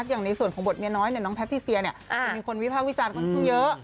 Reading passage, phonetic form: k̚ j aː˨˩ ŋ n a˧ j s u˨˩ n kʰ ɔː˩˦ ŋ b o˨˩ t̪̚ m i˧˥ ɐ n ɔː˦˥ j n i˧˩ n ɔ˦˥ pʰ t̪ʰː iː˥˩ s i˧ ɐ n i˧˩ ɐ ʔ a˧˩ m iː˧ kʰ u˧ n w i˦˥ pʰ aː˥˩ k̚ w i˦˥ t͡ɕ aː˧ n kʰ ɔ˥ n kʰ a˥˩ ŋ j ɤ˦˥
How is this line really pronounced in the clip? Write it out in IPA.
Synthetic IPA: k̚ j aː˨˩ ŋ n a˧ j s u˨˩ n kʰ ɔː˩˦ ŋ b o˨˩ t̪̚ m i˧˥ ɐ n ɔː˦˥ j n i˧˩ n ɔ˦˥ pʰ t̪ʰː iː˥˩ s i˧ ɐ n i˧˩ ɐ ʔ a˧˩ m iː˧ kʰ o˧ n w i˦˥ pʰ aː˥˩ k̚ w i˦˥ t͡ɕ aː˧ n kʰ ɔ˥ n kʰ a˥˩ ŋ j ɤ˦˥